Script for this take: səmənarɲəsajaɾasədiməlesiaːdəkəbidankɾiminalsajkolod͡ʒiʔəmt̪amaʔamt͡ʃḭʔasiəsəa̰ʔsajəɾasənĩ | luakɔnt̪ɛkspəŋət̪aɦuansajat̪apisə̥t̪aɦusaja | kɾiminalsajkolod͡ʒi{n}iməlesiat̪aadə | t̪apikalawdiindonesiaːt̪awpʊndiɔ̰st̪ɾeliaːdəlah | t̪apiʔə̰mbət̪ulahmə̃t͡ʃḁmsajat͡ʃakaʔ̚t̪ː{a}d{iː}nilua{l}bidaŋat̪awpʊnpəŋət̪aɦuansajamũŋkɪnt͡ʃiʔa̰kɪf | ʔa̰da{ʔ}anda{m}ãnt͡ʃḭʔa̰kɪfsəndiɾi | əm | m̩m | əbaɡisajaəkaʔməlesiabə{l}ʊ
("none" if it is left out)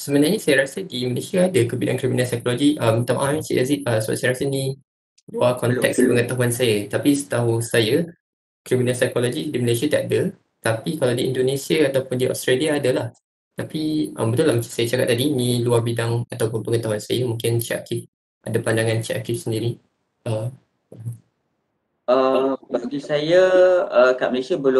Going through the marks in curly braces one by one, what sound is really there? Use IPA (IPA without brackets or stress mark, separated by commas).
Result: d, a, i, r, p, ŋ, l